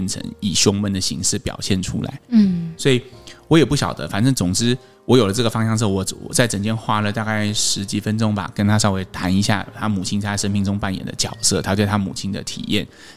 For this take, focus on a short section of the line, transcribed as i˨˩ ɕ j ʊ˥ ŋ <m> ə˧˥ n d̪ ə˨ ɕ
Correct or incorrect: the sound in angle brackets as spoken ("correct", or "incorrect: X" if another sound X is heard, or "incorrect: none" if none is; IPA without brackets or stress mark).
correct